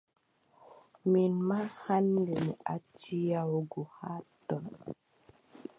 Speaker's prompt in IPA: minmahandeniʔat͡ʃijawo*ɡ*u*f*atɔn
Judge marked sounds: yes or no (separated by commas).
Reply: yes, no